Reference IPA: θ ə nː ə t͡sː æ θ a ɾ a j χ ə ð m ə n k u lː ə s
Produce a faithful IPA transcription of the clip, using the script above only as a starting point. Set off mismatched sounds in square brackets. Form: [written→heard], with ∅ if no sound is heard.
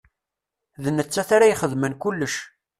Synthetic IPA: [θ→ð] ə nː ə t͡sː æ θ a ɾ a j χ ə ð m ə n k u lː ə [s→ʃ]

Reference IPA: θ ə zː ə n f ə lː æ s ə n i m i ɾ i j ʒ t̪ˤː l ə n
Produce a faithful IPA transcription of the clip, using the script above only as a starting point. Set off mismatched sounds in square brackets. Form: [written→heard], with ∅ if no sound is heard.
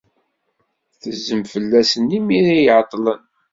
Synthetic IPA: θ ə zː ə [n→m] f ə lː æ s ə n i m i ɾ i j [ʒ→ʕ] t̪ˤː l ə n

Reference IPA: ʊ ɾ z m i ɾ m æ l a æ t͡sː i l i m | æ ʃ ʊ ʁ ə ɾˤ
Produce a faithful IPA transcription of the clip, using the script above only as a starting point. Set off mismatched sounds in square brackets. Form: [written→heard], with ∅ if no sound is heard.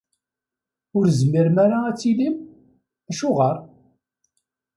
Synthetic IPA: ʊ ɾ z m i ɾ m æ [l→ɾ] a æ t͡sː i l i m | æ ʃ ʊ ʁ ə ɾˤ

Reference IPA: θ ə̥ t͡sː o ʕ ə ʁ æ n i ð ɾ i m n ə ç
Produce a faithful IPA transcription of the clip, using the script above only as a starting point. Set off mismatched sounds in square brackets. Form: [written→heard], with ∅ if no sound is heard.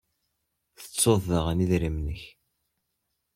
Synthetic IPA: θ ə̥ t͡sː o [ʕ→ð] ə ʁ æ n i ð ɾ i m n ə ç

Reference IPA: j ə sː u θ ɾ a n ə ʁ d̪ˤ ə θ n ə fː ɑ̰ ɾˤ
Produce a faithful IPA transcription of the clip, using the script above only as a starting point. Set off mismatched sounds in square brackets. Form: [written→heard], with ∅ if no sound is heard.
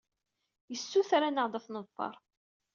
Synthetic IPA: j ə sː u θ ɾ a n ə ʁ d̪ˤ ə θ n ə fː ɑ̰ ɾˤ

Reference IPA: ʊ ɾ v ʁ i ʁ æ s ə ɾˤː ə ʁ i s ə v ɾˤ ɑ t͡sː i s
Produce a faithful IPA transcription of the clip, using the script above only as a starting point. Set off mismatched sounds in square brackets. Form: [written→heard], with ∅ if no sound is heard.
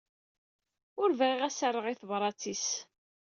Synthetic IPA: ʊ ɾ v ʁ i ʁ æ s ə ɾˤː ə ʁ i [s→θ] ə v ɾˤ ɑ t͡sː i s

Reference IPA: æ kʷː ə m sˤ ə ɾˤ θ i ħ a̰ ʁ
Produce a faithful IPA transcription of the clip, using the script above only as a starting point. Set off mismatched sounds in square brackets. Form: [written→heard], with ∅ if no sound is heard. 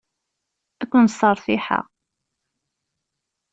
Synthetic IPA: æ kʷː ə [m→n] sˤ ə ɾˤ θ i ħ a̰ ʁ

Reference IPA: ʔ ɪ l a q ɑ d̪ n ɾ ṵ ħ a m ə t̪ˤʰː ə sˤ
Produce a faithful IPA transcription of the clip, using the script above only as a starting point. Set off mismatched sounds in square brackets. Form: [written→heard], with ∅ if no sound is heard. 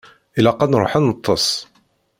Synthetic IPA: ʔ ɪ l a q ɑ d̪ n ɾ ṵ ħ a [m→n] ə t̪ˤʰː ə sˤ

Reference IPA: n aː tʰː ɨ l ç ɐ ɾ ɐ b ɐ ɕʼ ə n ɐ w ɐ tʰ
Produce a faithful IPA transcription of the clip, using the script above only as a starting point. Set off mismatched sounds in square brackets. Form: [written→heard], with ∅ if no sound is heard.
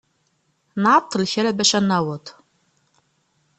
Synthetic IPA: n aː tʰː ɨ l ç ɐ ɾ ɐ b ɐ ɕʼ [ə→ɐ] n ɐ w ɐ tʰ

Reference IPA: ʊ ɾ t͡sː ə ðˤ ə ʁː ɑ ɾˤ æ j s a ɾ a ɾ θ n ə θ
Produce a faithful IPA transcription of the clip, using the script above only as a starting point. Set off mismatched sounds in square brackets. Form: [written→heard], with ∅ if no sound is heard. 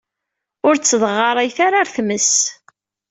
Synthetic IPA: ʊ ɾ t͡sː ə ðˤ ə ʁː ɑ ɾˤ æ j [s→θ] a ɾ a ɾ θ [n→m] ə [θ→s]

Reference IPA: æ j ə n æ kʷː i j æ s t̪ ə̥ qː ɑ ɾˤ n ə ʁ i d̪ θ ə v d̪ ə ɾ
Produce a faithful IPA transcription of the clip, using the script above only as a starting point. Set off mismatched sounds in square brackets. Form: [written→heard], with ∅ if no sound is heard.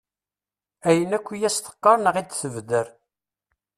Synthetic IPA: æ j ə n æ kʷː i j æ s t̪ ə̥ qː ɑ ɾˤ n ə ʁ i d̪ θ ə v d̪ ə ɾ

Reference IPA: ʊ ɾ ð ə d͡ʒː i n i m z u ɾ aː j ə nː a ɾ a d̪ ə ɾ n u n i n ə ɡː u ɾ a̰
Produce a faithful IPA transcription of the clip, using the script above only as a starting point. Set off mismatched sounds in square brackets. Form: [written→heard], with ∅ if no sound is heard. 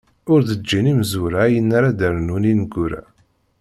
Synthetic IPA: ʊ ɾ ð ə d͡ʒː i n i m z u ɾ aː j ə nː a ɾ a d̪ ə ɾ n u n i n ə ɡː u ɾ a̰

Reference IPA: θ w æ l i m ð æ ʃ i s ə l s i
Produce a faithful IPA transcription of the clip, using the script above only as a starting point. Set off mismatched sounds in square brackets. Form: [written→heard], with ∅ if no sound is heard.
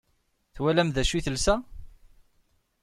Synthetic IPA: θ w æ l [i→æ] m ð æ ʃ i [s→θ] ə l s [i→æ]

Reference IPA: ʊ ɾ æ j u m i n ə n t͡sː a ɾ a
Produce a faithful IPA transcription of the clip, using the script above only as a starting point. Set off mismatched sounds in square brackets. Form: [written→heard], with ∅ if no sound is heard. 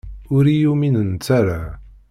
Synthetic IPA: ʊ ɾ [æ→i] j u m i n ə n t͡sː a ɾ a

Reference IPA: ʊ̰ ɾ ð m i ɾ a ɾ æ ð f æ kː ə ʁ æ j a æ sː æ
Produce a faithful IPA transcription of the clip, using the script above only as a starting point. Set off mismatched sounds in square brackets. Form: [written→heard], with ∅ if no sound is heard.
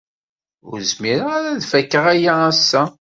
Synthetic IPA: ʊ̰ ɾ [ð→z] m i ɾ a ɾ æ ð f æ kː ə ʁ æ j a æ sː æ

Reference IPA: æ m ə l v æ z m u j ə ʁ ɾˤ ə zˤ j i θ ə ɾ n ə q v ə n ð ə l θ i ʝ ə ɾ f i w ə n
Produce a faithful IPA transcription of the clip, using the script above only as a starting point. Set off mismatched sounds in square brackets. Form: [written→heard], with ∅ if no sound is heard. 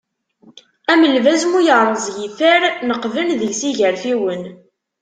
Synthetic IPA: æ m ə l v æ z m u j ə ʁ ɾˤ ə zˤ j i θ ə ɾ n ə q v ə n ð ə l [θ→s] i ʝ ə ɾ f i w ə n

